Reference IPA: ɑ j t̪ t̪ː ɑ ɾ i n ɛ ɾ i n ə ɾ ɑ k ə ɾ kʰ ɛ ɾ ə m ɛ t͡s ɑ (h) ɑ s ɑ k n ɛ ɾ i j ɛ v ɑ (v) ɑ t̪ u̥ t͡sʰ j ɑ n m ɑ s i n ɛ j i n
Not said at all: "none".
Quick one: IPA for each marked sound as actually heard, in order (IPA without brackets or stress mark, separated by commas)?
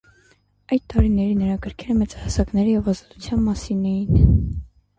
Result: h, z